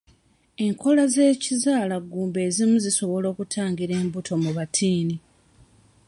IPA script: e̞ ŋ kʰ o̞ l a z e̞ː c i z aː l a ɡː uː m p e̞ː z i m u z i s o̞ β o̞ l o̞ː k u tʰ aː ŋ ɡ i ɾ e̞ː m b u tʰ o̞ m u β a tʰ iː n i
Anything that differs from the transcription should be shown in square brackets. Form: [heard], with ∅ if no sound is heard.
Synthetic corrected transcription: e̞ ŋ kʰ o̞ l a z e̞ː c i z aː l a ɡː uː m [b] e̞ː z i m u z i s o̞ β o̞ l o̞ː k u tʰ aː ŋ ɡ i ɾ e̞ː m b u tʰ o̞ m u β a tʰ iː n i